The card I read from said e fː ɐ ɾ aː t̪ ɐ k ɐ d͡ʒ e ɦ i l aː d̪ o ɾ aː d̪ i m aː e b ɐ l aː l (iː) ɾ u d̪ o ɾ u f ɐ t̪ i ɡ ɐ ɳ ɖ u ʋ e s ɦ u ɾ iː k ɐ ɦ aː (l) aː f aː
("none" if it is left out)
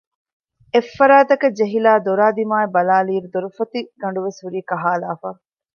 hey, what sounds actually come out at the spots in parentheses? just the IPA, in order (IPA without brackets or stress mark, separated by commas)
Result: iː, l